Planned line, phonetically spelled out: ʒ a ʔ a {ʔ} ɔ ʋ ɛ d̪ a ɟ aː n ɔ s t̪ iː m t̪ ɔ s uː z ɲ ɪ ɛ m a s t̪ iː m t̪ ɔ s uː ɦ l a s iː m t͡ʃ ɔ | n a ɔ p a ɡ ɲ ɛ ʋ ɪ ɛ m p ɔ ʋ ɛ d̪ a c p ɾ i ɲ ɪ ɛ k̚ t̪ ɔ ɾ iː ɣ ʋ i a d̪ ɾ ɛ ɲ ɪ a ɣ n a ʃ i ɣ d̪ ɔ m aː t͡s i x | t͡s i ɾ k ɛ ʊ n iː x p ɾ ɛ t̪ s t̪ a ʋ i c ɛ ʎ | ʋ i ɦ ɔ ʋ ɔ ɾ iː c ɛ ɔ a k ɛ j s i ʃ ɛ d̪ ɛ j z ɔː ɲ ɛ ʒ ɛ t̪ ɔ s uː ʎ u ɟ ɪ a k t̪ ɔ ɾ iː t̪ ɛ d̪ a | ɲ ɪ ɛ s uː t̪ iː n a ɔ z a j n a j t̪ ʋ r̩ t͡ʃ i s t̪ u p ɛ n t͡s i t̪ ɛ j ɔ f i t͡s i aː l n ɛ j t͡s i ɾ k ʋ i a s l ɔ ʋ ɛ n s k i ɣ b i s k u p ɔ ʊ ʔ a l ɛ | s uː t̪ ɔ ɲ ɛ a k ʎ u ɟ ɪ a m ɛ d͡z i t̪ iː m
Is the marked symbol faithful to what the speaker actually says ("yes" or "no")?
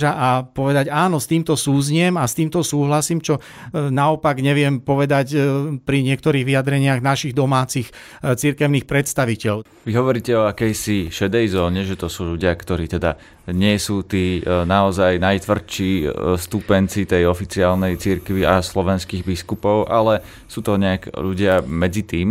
no